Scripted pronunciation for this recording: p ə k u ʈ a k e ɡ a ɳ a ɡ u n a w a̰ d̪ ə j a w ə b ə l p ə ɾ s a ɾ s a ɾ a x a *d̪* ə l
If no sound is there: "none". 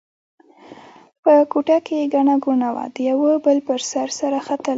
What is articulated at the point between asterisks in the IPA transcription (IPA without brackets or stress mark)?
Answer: t̪